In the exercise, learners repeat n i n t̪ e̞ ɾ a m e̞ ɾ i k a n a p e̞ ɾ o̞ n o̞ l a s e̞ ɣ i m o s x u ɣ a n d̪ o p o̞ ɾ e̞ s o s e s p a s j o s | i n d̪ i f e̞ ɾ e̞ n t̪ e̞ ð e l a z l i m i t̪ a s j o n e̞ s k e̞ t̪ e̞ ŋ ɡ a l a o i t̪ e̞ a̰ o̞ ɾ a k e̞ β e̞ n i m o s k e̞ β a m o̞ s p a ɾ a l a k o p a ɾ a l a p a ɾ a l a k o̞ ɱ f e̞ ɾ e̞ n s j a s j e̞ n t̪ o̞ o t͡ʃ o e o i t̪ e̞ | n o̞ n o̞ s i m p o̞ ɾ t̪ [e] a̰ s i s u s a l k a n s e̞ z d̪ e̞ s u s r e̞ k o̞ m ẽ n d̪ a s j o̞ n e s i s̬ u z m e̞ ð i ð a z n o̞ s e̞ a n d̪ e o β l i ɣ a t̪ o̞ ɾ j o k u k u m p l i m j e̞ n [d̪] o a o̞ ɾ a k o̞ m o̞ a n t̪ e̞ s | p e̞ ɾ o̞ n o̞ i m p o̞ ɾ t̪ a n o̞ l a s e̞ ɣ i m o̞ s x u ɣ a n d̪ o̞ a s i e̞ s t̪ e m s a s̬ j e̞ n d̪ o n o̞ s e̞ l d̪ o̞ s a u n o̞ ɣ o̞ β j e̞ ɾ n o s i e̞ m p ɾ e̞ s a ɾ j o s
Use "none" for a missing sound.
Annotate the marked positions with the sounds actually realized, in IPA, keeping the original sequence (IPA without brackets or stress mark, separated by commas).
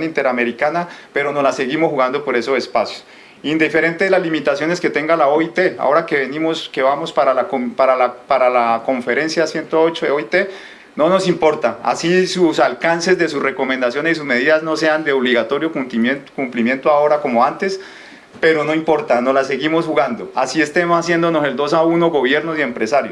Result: a, t̪